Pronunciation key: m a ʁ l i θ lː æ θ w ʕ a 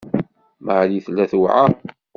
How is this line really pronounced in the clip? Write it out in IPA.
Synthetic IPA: m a ʕ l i θ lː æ θ w ʕ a